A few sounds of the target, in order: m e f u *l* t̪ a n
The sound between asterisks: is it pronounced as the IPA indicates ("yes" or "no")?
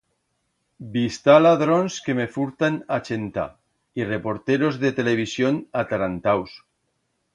no